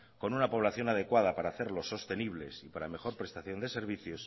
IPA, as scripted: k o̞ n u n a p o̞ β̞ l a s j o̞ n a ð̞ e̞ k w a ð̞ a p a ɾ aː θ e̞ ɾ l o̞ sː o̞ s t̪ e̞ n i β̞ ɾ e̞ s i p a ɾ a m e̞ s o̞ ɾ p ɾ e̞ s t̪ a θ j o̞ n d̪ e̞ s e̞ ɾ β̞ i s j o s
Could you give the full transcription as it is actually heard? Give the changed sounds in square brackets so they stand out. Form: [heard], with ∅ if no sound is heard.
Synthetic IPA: k o̞ n u n a p o̞ β̞ l a [θ] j o̞ n a ð̞ e̞ k w a ð̞ a p a ɾ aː θ e̞ ɾ l o̞ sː o̞ s t̪ e̞ n i β̞ [l] e̞ s i p a ɾ a m e̞ [x] o̞ ɾ p ɾ e̞ s t̪ a θ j o̞ n d̪ e̞ s e̞ ɾ β̞ i [θ] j o s